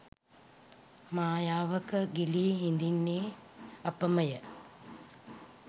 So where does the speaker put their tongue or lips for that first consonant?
lips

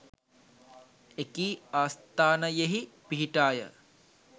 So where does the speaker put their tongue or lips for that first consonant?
velum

